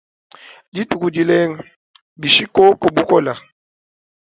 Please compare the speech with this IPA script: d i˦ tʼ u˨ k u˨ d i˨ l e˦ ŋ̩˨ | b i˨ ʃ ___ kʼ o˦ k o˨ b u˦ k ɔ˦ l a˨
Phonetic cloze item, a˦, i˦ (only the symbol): i˦